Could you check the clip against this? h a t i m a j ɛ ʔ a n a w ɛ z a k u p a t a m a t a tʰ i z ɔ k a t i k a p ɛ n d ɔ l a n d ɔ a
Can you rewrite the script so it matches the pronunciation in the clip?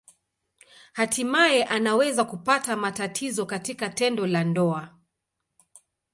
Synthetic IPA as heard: h a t i m a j ɛ ʔ a n a w ɛ z a k u p a t a m a t a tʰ i z ɔ k a t i k a t ɛ n d ɔ l a n d ɔ a